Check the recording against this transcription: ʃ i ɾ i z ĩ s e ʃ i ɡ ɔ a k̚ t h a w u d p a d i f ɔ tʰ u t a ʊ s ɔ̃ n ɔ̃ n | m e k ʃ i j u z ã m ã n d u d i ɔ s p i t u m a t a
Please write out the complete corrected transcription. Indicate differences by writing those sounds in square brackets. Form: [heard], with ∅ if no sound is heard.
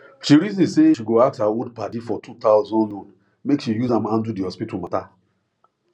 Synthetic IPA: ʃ i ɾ i z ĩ s e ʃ i ɡ [o] a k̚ t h a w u d p a d i f ɔ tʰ u t a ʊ [z] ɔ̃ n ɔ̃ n | m e k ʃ i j u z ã m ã n d u d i ɔ s p i t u m a t a